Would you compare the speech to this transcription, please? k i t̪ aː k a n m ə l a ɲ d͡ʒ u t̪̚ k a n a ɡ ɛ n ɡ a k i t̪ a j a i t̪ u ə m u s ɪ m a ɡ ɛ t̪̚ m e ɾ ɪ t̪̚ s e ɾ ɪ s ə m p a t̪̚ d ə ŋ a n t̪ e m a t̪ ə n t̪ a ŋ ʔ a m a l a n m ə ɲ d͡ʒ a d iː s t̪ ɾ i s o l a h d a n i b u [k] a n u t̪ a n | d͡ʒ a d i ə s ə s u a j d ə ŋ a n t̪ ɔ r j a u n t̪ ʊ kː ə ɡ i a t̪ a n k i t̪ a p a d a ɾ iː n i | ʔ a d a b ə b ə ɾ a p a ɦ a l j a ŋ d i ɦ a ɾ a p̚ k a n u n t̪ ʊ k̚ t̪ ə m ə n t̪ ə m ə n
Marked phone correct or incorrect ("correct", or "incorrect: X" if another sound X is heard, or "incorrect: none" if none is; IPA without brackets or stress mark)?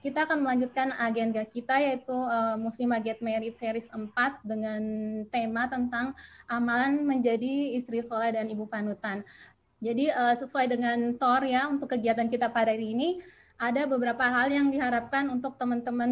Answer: incorrect: p